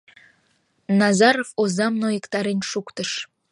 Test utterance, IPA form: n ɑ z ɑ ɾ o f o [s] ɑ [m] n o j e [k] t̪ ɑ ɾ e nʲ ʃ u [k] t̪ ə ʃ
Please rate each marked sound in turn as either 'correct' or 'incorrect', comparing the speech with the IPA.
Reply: incorrect: z, correct, correct, correct

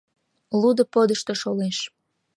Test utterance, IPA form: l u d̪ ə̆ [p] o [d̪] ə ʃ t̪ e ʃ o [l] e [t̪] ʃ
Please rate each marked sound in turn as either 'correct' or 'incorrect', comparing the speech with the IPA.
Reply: correct, correct, correct, incorrect: none

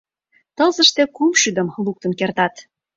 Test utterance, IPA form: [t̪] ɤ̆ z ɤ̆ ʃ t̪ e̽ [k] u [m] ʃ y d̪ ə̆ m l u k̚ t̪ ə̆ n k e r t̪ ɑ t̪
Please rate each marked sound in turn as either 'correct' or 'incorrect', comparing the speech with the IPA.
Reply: correct, correct, correct

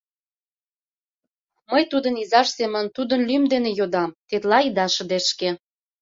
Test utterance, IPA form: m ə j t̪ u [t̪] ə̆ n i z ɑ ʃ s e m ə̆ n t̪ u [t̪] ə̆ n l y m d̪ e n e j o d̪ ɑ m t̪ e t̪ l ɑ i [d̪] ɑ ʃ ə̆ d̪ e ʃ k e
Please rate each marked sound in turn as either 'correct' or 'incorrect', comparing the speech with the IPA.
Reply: incorrect: d̪, incorrect: d̪, correct

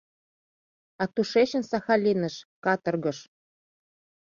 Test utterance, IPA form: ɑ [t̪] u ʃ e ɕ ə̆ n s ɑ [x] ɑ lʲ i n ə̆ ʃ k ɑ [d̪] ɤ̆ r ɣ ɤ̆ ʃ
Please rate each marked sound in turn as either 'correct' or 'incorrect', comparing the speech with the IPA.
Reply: correct, correct, incorrect: t̪

